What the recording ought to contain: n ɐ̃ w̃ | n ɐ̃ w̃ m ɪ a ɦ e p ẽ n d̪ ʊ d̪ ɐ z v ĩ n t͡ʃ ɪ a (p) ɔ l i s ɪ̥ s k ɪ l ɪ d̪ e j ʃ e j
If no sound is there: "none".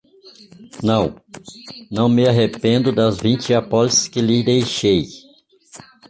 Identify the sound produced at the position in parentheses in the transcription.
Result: p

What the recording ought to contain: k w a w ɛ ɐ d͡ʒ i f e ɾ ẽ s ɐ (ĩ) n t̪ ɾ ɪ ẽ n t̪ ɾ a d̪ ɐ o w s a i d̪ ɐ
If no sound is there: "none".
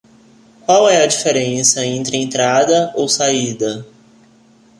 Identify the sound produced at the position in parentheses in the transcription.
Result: ẽ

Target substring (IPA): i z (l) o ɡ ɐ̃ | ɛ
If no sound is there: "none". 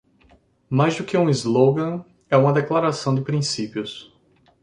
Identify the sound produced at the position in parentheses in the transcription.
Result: l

